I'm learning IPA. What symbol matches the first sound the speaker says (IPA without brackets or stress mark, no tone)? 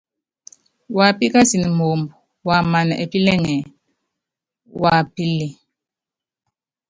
w